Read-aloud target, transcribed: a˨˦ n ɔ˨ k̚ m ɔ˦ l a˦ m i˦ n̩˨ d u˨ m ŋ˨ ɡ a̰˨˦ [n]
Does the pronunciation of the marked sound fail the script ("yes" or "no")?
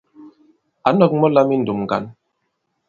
no